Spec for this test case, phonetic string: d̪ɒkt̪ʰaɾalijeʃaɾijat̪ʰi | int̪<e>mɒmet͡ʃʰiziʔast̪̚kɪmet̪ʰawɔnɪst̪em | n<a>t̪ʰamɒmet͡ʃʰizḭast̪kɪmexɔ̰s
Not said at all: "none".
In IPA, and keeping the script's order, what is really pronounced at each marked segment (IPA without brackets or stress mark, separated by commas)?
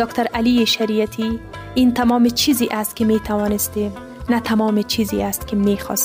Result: a, a